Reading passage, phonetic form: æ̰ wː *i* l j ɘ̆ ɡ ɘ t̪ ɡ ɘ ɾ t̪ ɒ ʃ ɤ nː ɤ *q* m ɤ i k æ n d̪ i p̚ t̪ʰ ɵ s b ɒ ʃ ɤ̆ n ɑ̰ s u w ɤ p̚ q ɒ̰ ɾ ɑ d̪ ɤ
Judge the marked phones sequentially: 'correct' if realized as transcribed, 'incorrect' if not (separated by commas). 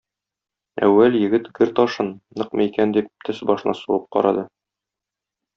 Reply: incorrect, correct